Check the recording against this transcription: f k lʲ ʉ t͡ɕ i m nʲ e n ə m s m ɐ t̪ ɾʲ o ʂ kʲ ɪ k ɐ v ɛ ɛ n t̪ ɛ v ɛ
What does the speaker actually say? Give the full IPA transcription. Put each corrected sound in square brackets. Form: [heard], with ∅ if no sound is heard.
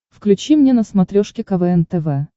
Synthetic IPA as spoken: f k lʲ ʉ t͡ɕ i m nʲ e n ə [∅] s m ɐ t̪ ɾʲ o ʂ kʲ ɪ k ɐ v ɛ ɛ n t̪ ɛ v ɛ